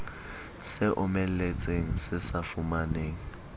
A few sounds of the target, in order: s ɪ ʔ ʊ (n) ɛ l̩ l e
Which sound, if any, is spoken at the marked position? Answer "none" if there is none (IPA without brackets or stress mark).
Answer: m